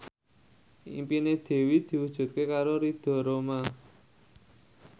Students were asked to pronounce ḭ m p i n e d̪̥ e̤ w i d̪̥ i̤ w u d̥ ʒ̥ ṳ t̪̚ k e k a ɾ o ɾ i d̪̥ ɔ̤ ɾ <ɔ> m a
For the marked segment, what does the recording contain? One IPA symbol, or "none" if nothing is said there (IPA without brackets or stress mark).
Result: o